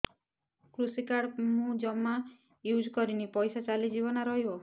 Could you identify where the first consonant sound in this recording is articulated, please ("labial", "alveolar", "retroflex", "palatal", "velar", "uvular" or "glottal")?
velar